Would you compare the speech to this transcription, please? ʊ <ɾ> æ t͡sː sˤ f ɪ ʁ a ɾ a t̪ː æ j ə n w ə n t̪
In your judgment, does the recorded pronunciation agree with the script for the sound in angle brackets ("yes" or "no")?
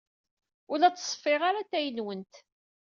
no